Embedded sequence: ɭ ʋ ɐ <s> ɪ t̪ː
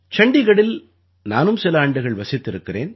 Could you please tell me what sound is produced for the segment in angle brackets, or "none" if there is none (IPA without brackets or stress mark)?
s